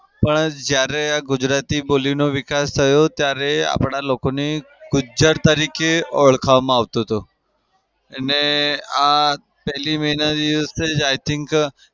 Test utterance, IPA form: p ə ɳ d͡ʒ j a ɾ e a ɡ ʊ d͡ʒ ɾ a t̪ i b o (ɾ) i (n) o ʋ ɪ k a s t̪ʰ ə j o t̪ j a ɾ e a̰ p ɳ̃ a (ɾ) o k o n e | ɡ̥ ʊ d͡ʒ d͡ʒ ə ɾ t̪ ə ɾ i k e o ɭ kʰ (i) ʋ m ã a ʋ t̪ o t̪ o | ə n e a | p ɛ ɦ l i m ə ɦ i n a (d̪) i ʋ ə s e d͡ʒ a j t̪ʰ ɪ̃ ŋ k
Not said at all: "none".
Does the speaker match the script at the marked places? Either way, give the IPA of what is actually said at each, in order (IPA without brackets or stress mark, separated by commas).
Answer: l, n, l, a, d̪